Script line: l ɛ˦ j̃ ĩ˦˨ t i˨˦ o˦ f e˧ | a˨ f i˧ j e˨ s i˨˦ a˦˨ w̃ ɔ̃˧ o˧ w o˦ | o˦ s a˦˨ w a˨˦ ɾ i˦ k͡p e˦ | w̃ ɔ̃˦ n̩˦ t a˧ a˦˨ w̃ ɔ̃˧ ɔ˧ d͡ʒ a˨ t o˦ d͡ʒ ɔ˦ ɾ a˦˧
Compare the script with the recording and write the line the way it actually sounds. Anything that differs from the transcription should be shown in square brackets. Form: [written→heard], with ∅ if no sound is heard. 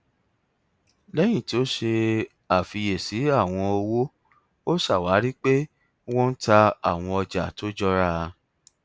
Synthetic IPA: l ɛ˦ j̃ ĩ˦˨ t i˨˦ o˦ [f→ʃ] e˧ | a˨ f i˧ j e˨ s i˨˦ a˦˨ w̃ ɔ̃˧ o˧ w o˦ | o˦ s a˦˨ w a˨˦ ɾ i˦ k͡p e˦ | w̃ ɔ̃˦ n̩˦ t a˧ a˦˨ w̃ ɔ̃˧ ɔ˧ d͡ʒ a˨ t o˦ d͡ʒ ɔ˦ ɾ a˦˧